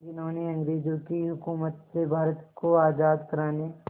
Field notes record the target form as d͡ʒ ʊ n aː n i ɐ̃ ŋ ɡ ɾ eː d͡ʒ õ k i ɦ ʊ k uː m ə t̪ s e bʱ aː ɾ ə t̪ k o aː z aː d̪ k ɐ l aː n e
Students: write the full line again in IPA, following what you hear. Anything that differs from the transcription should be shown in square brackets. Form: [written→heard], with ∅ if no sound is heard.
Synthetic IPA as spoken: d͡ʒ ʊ n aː n i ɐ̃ ŋ ɡ ɾ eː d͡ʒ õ k i ɦ ʊ k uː m ə t̪ s e bʱ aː ɾ ə t̪ k o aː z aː d̪ k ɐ [l→ɾ] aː n e